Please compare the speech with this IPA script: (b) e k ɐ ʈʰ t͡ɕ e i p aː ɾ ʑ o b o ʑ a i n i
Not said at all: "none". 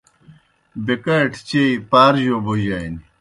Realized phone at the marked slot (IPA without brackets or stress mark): b